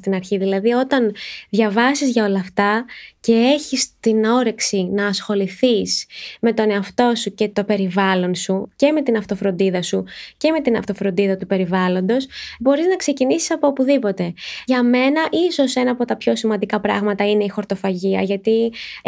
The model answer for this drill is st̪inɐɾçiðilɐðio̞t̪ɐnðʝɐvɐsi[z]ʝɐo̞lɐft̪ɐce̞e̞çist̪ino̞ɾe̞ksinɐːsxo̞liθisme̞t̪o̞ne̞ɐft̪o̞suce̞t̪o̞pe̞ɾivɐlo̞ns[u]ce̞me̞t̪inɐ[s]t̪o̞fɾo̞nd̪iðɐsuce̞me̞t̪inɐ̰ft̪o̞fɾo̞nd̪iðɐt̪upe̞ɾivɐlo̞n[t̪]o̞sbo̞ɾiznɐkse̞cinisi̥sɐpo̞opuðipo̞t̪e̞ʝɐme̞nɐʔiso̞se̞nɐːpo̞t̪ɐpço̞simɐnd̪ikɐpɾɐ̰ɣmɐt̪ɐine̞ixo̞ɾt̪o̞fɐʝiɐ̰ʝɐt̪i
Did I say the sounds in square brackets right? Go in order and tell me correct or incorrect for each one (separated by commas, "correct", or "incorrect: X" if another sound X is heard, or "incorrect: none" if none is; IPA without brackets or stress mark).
correct, correct, incorrect: f, incorrect: d̪